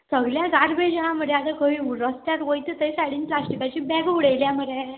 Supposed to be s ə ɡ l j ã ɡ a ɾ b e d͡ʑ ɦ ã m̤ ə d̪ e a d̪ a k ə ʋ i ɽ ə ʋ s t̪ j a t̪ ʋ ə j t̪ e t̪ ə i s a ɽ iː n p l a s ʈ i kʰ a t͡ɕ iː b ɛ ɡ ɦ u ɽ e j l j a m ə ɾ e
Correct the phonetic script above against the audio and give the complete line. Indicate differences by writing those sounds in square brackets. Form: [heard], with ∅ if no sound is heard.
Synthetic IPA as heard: s ə ɡ l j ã ɡ a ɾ b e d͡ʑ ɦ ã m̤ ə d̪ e a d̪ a k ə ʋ i [ɾ] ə [∅] s t̪ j a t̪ ʋ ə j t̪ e t̪ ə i s a ɽ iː n p l a s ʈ i [k] a t͡ɕ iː b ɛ ɡ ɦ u ɽ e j l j a m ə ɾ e